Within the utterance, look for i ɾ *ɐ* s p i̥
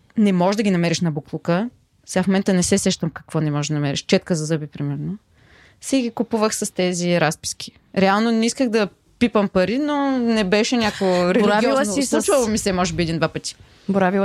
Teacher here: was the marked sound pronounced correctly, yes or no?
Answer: no